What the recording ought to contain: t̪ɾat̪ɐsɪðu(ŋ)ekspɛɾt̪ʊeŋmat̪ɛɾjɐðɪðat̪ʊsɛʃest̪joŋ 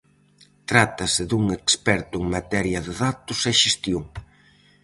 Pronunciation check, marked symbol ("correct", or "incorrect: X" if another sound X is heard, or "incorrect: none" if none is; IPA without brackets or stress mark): correct